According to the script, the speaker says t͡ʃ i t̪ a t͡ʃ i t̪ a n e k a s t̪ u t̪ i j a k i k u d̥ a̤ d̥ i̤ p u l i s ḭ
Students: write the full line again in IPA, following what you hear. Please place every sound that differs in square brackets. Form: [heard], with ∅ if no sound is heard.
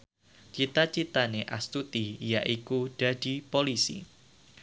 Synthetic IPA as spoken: t͡ʃ i t̪ a t͡ʃ i t̪ a n e [ʔ] a s t̪ u t̪ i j a [ʔ] i k u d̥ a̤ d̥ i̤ p [o] l i s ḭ